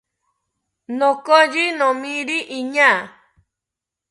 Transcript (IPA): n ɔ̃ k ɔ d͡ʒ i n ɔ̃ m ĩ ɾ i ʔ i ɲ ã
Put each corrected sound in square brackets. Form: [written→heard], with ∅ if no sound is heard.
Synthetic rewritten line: n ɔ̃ k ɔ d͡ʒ i n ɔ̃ m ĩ ɾ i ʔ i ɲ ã